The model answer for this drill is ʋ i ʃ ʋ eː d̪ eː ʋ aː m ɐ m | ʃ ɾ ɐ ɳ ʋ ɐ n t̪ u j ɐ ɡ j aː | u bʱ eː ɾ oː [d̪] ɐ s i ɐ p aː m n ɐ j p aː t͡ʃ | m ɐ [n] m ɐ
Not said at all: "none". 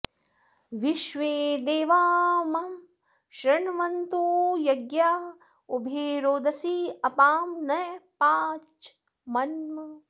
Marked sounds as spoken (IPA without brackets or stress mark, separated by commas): d̪, n